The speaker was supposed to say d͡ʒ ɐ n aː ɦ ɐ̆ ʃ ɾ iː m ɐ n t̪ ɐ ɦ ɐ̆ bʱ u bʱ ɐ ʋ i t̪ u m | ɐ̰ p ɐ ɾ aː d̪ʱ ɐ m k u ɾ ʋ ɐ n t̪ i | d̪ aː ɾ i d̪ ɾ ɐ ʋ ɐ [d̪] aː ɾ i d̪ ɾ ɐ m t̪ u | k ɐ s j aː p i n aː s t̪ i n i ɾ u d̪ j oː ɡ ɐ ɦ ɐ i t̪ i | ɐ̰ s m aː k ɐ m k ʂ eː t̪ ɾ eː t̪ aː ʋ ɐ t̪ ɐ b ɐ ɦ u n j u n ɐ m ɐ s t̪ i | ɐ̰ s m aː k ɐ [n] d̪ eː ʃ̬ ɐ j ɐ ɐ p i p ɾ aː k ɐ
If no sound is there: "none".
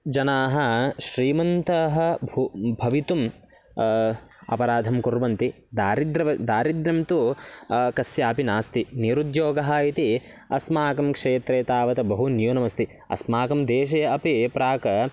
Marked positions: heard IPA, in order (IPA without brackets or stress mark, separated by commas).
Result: d̪, m